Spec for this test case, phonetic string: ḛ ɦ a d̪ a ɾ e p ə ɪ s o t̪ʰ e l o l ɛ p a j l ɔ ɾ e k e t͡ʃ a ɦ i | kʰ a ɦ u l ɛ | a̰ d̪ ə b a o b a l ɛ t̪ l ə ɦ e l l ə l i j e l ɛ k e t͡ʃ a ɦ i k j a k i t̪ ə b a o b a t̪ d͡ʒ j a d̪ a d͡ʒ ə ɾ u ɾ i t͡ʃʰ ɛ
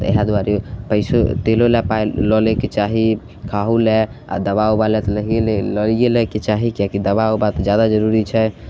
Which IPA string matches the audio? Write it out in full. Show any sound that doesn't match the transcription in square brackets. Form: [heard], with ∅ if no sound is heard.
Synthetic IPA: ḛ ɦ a d̪ a ɾ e p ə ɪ s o [t̪] e l o l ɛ p a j l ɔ [l] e k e t͡ʃ a ɦ i | kʰ a ɦ u l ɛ | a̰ d̪ ə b a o b a l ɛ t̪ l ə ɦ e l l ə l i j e l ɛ k e t͡ʃ a ɦ i k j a k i [d̪] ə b a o b a t̪ d͡ʒ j a d̪ a d͡ʒ ə ɾ u ɾ i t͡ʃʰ ɛ